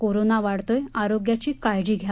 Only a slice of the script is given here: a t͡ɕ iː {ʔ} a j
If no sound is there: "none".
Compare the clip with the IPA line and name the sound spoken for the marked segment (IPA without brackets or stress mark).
k